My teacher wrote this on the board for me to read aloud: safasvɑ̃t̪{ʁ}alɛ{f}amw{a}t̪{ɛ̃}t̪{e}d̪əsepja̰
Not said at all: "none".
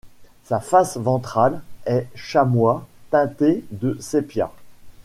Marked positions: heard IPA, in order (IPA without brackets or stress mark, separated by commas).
χ, ʃ, a, ɛ̃, e